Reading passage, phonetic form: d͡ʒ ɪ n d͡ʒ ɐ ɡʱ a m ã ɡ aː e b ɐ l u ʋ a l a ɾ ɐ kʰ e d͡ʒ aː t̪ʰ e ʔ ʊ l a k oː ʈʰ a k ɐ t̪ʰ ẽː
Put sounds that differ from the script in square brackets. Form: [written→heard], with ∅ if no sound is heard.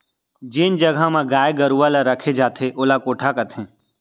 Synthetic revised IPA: d͡ʒ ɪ n d͡ʒ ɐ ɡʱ a m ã ɡ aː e [b→ɡ] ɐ [l→ɾ] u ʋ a l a ɾ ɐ kʰ e d͡ʒ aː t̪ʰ e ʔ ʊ l a k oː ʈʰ a k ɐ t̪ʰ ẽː

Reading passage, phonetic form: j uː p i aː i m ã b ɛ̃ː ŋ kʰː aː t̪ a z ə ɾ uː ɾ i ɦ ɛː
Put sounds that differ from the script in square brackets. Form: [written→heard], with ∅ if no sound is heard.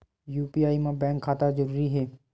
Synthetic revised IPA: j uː p i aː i m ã b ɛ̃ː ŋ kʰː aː t̪ a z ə ɾ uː ɾ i ɦ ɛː

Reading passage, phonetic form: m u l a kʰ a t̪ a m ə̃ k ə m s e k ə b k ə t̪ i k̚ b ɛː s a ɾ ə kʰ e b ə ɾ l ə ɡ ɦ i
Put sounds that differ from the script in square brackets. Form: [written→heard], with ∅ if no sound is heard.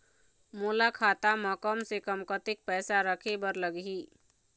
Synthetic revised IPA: m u l a kʰ a t̪ a m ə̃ k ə m s e k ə [b→m] k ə t̪ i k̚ [b→p] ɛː s a ɾ ə kʰ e b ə ɾ l ə ɡ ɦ i

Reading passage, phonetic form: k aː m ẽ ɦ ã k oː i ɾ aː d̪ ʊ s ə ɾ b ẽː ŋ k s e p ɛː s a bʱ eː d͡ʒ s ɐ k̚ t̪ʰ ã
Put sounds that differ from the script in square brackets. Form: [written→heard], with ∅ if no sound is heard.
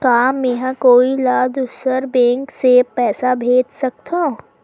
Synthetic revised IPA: k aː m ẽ ɦ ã k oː i [ɾ→l] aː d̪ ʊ s ə ɾ b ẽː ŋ k s e p ɛː s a bʱ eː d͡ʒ s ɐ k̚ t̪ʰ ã

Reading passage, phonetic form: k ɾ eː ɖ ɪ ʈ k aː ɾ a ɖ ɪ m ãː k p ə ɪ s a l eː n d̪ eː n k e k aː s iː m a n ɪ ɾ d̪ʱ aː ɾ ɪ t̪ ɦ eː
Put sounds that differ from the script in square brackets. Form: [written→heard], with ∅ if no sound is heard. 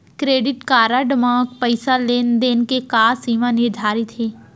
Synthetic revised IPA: k ɾ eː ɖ ɪ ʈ k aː ɾ a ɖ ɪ m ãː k p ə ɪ s a l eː n d̪ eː n k e k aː s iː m a n ɪ ɾ d̪ʱ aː ɾ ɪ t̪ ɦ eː

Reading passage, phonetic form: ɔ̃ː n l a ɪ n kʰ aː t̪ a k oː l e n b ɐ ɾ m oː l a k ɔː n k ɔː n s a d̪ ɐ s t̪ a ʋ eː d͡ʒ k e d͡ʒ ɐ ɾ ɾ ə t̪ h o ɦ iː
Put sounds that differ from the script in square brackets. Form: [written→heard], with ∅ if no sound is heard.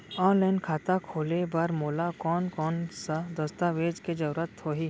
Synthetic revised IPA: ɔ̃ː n l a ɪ n kʰ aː t̪ a [k→kʰ] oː l e [n→∅] b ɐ ɾ m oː l a k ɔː n k ɔː n s a d̪ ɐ s t̪ a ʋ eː d͡ʒ k e d͡ʒ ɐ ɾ ɾ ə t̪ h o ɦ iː

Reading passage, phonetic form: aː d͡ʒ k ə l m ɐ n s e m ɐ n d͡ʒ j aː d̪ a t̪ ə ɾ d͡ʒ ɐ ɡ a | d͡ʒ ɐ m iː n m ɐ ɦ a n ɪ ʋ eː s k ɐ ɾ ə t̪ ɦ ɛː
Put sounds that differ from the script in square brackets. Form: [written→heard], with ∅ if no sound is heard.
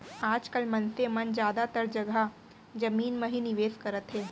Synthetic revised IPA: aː d͡ʒ k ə l m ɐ n s e m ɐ n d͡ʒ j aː d̪ a t̪ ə ɾ d͡ʒ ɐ ɡ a | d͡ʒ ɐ m iː n m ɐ ɦ [a→i] n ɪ ʋ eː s k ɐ ɾ ə t̪ ɦ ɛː

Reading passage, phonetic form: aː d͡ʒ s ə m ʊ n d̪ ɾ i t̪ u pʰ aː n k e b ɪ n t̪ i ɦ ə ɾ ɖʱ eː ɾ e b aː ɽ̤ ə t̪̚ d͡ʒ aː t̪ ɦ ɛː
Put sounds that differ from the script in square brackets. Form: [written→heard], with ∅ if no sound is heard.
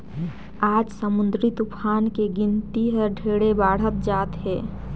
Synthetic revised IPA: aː d͡ʒ s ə m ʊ n d̪ ɾ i t̪ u pʰ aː n k e [b→ɡ] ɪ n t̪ i ɦ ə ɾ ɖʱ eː [ɾ→ɽ] e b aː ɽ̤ ə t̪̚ d͡ʒ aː t̪ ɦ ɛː

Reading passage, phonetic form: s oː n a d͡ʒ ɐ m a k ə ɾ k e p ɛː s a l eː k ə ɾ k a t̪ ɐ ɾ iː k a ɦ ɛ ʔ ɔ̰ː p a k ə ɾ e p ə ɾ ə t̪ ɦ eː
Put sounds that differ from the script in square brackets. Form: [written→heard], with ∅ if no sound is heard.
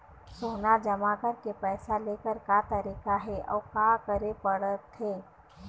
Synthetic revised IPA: s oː n a d͡ʒ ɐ m a k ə ɾ k e p ɛː s a l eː k ə ɾ k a t̪ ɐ ɾ iː k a ɦ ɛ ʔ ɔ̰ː [p→k] a k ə ɾ e p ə [ɾ→ɽ] ə t̪ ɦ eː

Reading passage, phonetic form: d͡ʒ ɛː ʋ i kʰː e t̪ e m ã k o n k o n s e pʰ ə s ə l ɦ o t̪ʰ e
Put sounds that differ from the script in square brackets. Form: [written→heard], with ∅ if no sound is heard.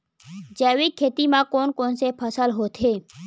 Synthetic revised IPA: d͡ʒ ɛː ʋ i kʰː e t̪ [e→i] m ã k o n k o n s e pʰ ə s ə l ɦ o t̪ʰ e

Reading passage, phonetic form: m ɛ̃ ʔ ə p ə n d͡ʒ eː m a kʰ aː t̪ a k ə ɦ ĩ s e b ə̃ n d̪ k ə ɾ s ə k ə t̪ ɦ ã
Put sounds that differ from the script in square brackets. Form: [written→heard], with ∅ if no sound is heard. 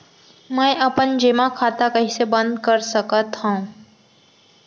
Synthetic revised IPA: m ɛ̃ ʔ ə p ə n d͡ʒ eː m a kʰ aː t̪ a k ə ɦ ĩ s e b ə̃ n d̪ k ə ɾ s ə k ə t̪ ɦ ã

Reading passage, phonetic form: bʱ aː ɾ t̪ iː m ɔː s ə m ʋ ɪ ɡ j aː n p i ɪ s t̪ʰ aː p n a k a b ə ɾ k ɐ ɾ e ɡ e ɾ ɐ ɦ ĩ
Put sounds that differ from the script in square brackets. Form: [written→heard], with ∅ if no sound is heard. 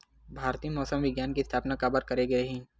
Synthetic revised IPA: bʱ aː ɾ t̪ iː m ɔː s ə m ʋ ɪ ɡ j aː n [p→k] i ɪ s t̪ʰ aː p n a k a b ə ɾ k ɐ ɾ e ɡ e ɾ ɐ ɦ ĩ

